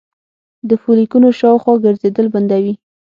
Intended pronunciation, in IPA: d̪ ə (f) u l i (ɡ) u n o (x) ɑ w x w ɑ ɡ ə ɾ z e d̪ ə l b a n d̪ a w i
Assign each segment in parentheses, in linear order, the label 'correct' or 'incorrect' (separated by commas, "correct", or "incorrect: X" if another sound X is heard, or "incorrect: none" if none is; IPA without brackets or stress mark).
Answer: correct, incorrect: k, incorrect: ʃ